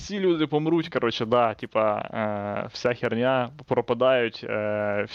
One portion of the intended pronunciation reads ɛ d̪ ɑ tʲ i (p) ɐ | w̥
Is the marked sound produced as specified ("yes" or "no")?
yes